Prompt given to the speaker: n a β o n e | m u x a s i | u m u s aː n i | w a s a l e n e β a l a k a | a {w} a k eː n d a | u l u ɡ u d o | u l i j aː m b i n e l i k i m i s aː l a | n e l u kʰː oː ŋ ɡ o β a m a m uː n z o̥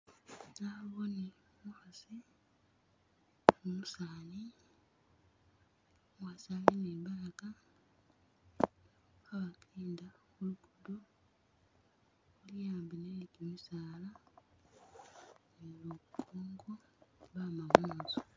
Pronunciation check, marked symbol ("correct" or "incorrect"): incorrect